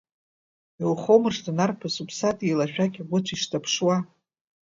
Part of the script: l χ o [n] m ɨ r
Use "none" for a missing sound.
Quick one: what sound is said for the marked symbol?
none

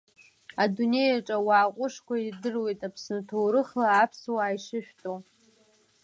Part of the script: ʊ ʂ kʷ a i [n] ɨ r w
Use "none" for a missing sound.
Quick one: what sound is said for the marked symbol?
d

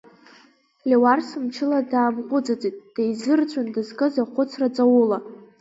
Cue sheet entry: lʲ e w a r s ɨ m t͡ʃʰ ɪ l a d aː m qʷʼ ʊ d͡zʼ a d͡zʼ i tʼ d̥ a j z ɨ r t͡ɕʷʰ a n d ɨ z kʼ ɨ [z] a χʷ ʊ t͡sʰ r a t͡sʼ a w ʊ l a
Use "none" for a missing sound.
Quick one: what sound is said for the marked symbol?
z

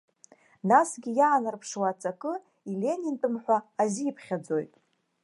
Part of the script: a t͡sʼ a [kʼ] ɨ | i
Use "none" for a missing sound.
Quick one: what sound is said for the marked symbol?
kʼ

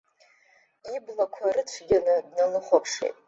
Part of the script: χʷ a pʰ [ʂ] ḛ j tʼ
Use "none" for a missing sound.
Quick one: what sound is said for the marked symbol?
ʂ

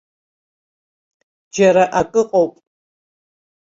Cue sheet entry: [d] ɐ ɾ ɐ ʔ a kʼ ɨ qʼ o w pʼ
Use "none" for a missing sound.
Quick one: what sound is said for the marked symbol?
d͡ʒ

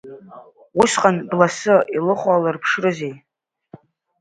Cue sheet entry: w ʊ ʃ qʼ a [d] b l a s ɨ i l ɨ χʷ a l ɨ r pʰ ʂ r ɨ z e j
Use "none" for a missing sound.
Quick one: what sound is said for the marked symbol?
n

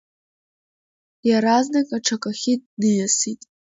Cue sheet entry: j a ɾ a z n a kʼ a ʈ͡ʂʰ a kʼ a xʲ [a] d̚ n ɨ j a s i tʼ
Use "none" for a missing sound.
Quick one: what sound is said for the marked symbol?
i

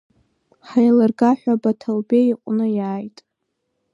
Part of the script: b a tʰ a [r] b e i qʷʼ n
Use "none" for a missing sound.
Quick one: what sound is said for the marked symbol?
l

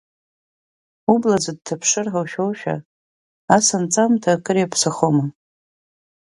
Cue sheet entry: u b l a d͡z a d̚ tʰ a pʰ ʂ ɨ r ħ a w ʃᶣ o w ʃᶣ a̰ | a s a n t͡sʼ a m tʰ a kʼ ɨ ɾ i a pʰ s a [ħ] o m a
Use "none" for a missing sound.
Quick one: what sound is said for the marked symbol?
χ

